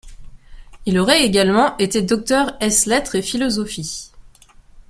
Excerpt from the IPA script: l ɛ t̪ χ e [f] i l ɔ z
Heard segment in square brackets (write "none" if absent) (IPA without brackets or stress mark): f